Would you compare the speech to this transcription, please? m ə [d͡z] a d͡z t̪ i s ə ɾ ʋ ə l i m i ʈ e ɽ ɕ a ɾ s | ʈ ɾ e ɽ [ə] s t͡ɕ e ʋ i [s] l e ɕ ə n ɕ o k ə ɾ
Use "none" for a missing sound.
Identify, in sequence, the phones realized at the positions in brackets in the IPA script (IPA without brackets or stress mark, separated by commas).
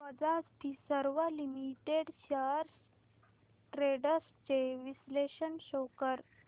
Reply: d͡z, ə, s